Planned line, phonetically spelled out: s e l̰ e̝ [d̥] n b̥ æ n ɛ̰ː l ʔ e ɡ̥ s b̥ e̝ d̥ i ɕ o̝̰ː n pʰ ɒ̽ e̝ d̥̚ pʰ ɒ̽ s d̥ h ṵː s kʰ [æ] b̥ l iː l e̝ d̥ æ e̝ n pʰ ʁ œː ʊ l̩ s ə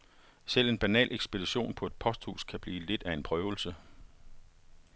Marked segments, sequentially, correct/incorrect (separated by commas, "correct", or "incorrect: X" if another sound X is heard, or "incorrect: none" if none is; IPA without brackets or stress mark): incorrect: none, correct